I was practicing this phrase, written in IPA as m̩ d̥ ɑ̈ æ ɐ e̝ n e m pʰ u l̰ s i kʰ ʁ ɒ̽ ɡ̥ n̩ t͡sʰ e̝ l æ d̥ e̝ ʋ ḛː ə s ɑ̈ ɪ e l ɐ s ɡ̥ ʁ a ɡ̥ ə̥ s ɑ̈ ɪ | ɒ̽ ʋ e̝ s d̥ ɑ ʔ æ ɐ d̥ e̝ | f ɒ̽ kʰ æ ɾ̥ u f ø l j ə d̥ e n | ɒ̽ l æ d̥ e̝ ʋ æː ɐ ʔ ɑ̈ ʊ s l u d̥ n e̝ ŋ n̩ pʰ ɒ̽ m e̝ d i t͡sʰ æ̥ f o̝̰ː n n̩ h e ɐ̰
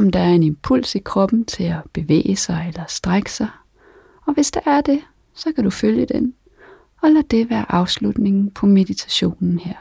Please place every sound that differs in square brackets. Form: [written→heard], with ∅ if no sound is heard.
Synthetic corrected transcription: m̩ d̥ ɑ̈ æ ɐ e̝ n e m pʰ u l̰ s i kʰ ʁ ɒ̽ [ɡ̥→b̥] n̩ t͡sʰ e̝ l æ [d̥→b̥] e̝ ʋ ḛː ə s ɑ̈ ɪ e l ɐ s [ɡ̥→d̥] ʁ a ɡ̥ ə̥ s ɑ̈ ɪ | ɒ̽ ʋ e̝ s d̥ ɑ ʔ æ ɐ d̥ e̝ | [f→s] ɒ̽ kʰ æ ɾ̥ u f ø l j ə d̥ e n | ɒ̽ l æ d̥ e̝ ʋ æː ɐ ʔ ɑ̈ ʊ s l u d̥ n e̝ ŋ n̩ pʰ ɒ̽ m e̝ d i t͡sʰ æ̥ [f→ɕ] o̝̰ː n n̩ h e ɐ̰